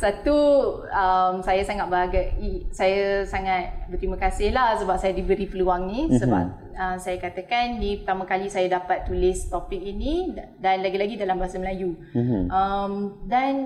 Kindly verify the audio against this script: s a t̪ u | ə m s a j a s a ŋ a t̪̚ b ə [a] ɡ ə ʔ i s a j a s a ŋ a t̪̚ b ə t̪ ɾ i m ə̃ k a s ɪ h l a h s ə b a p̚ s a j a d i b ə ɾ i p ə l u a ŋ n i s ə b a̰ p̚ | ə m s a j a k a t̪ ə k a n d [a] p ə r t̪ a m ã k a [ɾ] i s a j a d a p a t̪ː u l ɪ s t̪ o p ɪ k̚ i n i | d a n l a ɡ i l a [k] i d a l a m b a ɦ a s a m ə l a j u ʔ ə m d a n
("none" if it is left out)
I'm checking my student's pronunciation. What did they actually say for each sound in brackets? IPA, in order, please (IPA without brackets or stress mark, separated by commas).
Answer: a, i, l, ɡ